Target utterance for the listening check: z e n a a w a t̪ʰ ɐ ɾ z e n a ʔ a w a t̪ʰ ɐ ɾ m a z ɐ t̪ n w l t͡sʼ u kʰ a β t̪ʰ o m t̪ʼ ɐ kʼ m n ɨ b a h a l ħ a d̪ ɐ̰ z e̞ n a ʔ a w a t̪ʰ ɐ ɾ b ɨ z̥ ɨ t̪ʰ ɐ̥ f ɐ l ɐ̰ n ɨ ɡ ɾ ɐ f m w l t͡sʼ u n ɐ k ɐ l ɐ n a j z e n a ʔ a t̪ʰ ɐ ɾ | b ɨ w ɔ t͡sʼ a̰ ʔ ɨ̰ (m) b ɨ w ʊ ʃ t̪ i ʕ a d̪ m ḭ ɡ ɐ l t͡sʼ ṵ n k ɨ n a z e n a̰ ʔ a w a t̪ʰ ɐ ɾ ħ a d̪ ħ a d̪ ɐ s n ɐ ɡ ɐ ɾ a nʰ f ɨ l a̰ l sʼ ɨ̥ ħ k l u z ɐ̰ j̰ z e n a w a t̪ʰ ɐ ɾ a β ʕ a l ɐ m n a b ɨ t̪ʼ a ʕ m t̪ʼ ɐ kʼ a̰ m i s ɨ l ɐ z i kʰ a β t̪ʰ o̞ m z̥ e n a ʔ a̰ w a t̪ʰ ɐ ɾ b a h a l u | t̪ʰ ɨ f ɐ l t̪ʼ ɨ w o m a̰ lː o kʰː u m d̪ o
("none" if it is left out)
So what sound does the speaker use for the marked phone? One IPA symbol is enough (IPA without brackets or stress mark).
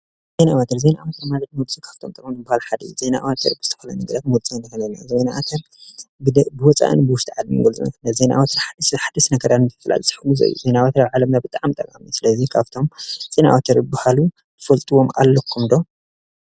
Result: n